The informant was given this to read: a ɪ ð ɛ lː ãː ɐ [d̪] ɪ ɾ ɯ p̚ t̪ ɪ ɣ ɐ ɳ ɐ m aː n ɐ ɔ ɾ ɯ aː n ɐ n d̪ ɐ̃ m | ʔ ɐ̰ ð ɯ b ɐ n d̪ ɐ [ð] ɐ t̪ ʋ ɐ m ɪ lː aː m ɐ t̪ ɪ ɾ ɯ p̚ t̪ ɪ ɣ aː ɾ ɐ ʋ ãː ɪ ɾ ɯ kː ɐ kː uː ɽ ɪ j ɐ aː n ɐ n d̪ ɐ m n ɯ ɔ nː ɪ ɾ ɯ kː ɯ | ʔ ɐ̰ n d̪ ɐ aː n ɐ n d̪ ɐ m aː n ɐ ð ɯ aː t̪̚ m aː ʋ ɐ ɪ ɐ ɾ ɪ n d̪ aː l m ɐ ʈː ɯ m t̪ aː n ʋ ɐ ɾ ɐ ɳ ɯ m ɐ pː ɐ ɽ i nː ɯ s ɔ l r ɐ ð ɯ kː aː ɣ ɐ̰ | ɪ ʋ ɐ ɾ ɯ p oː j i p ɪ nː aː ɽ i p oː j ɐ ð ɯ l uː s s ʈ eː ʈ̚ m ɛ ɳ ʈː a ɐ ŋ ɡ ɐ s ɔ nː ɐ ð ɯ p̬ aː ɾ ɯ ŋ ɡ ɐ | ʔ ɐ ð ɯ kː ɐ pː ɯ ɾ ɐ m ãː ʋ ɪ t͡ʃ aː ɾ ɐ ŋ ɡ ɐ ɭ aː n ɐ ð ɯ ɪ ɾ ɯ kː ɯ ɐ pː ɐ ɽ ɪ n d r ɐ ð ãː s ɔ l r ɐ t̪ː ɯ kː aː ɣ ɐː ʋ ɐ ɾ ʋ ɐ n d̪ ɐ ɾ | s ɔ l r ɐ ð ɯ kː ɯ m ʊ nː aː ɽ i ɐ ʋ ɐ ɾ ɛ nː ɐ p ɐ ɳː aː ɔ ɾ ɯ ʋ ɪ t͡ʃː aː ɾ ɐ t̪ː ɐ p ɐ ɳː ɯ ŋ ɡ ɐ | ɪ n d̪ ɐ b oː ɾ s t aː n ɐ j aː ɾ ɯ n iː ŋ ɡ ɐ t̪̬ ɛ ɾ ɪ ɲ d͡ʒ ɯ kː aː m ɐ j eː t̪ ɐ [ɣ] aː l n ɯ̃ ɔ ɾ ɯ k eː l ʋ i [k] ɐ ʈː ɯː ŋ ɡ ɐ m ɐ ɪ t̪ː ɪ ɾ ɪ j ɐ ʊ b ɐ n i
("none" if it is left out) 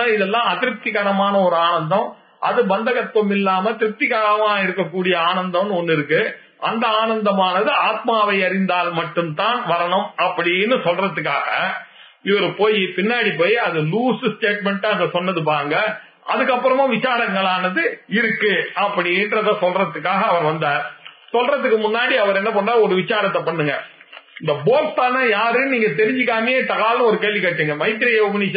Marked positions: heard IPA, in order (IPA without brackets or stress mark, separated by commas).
t̪, ɣ, ɣ, k